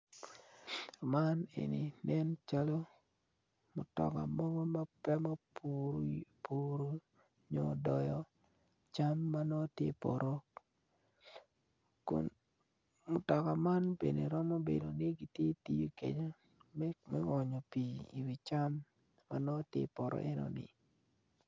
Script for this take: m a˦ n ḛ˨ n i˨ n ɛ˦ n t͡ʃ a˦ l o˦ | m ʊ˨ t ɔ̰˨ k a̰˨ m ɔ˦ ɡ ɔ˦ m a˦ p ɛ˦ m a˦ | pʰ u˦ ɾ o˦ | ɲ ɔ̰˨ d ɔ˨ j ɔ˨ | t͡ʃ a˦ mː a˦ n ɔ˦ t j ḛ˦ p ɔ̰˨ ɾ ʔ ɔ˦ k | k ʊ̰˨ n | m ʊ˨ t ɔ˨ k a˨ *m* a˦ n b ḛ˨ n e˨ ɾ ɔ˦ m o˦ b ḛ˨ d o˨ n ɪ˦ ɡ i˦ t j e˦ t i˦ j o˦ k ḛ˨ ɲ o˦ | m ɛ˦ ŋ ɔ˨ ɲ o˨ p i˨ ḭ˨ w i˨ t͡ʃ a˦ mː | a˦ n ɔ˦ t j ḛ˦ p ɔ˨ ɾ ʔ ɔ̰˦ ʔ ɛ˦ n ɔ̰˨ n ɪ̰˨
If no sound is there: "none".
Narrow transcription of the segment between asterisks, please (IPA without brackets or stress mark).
m